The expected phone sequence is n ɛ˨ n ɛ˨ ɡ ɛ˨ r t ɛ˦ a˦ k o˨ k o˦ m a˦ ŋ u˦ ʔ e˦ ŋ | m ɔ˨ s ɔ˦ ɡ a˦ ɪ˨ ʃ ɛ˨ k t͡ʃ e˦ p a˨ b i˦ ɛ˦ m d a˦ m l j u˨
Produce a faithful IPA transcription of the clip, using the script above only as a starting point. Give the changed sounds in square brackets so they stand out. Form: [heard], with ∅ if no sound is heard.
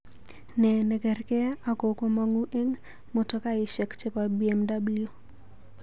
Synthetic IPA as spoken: n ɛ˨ n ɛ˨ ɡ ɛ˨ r [k] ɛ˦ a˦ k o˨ k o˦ m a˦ ŋ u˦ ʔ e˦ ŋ | m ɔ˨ [t] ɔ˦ [k] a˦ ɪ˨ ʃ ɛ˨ k t͡ʃ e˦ p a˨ b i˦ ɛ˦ m d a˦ [b] l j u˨